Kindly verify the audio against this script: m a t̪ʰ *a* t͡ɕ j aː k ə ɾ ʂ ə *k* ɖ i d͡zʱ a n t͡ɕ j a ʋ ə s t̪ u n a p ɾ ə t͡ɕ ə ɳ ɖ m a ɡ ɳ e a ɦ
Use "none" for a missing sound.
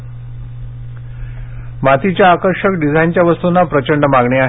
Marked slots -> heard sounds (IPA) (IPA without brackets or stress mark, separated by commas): i, k